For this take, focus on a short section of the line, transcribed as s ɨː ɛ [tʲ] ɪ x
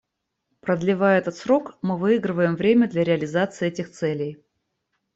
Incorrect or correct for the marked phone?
correct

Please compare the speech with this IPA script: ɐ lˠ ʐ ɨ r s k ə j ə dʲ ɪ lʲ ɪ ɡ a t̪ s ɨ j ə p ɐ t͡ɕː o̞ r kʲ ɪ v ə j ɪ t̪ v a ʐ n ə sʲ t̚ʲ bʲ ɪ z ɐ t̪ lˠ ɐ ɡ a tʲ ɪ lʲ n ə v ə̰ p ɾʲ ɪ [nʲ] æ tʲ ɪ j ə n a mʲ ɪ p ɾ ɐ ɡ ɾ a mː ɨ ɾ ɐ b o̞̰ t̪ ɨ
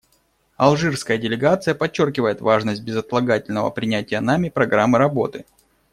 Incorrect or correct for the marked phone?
correct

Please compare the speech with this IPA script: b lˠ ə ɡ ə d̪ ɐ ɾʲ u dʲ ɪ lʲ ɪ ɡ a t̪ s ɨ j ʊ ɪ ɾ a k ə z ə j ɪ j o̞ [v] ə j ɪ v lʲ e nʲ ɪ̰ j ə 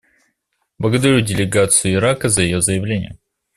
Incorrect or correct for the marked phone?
incorrect: z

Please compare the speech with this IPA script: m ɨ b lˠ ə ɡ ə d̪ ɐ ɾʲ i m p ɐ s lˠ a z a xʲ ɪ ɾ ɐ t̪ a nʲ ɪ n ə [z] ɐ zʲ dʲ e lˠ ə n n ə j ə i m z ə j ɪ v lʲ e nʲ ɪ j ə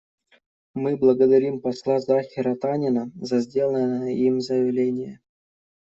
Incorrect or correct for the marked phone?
correct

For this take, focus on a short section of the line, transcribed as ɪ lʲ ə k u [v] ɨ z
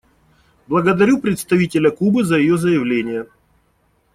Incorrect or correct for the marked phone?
incorrect: b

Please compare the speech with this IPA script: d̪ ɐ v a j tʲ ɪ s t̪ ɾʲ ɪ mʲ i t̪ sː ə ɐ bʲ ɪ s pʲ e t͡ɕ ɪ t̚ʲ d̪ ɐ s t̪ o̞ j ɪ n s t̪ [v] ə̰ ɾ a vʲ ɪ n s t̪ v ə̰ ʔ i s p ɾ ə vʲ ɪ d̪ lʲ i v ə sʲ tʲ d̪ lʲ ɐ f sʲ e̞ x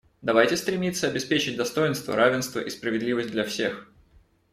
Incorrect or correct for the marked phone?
correct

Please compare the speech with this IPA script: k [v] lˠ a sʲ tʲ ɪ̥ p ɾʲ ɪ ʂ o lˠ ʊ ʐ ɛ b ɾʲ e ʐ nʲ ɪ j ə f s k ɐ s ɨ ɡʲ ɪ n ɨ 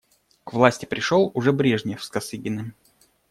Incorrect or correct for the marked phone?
correct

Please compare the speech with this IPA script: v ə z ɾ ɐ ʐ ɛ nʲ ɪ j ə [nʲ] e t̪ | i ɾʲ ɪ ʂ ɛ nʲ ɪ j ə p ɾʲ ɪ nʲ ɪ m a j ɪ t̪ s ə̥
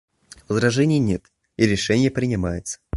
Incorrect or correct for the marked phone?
correct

